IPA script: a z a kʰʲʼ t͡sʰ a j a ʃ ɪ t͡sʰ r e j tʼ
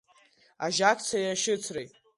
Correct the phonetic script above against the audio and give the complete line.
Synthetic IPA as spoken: a ʒ a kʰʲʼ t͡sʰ a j a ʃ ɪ t͡sʰ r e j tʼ